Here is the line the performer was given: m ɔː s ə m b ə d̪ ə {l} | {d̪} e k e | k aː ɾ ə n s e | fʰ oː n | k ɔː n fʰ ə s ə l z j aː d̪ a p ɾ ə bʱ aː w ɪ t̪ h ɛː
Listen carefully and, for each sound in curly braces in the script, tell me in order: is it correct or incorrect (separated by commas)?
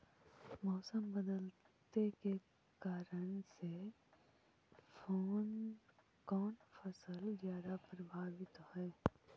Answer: correct, incorrect